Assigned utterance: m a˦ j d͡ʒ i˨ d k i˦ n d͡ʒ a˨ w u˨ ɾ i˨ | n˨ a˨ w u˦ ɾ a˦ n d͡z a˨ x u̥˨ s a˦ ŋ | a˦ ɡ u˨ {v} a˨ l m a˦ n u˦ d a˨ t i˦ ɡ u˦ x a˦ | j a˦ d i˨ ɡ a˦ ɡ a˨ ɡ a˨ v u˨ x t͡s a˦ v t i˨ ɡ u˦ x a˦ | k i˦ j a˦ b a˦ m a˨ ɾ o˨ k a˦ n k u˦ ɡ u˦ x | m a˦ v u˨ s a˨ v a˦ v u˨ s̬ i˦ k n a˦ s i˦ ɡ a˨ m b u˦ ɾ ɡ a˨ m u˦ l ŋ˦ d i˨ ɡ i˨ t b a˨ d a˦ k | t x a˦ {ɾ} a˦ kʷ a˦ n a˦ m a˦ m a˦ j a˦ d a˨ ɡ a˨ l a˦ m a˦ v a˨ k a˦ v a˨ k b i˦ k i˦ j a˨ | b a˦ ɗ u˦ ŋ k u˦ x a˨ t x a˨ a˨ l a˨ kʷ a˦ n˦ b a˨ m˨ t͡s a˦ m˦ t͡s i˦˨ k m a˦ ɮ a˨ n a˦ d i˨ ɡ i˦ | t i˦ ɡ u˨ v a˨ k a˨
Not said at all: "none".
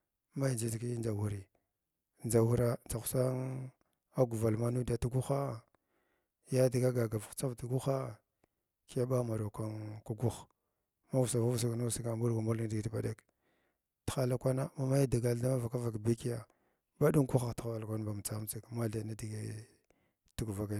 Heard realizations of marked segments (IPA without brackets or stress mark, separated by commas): v, l